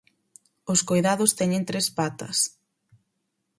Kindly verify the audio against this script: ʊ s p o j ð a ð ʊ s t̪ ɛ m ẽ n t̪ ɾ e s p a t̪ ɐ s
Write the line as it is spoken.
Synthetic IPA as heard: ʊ s k o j ð a ð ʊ s t̪ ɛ ɲ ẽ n t̪ ɾ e s p a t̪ ɐ s